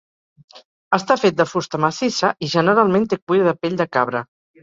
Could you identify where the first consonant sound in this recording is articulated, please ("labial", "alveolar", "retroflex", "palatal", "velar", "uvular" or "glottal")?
alveolar